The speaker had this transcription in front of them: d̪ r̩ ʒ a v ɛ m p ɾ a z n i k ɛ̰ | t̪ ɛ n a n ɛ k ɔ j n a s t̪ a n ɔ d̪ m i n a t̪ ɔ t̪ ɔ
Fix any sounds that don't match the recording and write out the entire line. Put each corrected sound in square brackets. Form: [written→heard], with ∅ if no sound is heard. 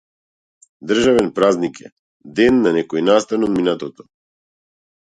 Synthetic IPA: d̪ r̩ ʒ a v ɛ [m→n] p ɾ a z n i k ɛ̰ | [t̪→d̪] ɛ [n→nː] a n ɛ k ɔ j n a s t̪ a n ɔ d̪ m i n a t̪ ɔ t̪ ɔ